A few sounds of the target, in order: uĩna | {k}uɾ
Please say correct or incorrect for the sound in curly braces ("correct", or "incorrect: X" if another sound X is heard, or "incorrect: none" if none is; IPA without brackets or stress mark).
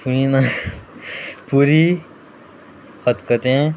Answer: incorrect: p